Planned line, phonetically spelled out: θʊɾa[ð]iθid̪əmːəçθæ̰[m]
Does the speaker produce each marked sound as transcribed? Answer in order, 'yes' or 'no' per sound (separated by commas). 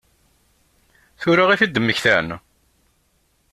no, no